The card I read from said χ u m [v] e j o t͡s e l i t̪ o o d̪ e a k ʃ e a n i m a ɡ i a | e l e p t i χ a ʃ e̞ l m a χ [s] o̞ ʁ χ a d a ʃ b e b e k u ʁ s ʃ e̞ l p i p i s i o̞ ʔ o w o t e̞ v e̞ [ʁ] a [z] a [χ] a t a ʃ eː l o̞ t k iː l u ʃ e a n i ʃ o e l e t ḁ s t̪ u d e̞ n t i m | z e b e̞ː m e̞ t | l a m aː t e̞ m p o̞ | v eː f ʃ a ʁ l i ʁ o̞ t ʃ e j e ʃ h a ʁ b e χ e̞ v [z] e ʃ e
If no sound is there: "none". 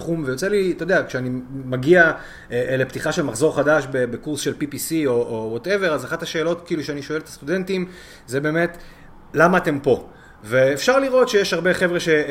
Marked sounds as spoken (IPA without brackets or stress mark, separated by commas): v, z, ʁ, z, χ, ʁ